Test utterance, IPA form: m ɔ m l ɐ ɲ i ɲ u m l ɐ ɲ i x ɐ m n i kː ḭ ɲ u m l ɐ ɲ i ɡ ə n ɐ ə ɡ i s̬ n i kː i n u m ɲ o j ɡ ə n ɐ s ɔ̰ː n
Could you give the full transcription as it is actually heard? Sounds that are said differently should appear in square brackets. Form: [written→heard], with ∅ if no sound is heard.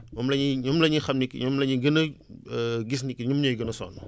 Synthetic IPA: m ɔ m l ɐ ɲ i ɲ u m l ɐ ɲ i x ɐ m n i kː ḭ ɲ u m l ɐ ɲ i ɡ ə n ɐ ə ɡ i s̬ n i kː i [n→ɲ] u m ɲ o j ɡ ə n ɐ s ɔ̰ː n